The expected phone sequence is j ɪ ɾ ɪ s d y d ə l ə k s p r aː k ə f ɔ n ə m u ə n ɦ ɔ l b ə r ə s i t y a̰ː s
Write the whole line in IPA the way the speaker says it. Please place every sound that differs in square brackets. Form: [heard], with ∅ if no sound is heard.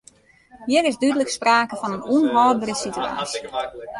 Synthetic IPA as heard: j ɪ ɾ ɪ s d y d ə l ə k s p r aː k ə f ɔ n ə [n] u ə n ɦ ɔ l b ə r ə s i t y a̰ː s